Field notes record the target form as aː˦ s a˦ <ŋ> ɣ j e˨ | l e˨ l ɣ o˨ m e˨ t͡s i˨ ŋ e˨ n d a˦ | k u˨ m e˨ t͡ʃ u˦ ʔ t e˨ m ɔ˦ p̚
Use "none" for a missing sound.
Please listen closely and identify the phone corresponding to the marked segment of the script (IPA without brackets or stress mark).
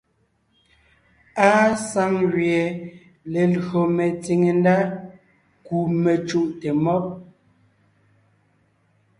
ŋ